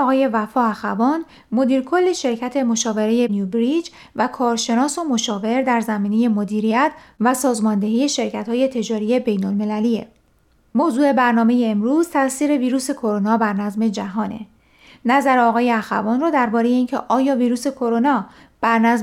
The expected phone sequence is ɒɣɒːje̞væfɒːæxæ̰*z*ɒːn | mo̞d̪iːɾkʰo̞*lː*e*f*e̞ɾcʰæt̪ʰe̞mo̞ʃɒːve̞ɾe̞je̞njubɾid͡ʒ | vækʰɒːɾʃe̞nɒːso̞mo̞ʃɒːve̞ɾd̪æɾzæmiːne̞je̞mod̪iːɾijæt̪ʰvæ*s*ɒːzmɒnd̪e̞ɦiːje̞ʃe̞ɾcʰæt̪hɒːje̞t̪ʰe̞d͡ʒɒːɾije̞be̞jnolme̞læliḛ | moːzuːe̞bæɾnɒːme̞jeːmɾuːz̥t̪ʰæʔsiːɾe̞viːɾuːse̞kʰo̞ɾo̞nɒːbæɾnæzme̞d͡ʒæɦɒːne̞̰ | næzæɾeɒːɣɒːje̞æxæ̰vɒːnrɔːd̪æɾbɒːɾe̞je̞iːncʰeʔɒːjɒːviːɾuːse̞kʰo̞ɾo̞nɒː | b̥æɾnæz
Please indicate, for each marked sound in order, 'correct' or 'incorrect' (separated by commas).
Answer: incorrect, correct, incorrect, correct